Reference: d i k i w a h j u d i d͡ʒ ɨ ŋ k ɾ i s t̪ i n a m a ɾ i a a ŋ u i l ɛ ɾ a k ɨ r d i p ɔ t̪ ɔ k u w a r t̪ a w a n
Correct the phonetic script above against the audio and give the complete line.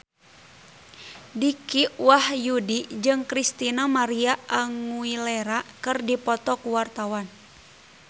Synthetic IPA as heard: d i k i w a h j u d i d͡ʒ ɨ ŋ k ɾ i s t̪ i n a m a ɾ i a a ŋ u i l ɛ ɾ a k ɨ r d i p ɔ t̪ ɔ k u w a r t̪ a w a n